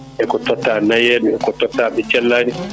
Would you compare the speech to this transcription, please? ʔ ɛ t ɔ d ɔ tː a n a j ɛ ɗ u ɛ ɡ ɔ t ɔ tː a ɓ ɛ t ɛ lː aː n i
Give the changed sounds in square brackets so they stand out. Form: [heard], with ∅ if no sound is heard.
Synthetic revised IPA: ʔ ɛ [k] ɔ [t] ɔ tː a n a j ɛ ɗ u ɛ [k] ɔ t ɔ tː a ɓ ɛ [t͡ʃ] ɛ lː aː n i